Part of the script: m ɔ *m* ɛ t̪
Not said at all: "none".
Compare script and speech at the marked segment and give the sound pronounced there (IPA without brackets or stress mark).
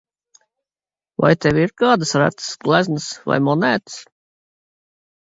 n